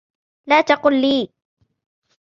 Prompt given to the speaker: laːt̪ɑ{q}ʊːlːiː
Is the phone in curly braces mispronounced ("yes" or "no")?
no